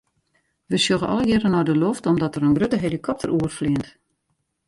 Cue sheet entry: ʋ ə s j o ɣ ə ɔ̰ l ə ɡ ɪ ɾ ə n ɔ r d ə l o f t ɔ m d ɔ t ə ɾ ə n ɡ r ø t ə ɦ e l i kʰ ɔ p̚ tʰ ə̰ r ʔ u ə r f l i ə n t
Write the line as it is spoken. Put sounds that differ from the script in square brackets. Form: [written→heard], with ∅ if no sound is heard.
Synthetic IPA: ʋ ə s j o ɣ ə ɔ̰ l ə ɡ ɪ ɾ ə n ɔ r d ə l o f t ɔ m d ɔ t ə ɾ ə n ɡ r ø t ə ɦ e l i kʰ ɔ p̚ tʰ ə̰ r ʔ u ə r f l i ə n t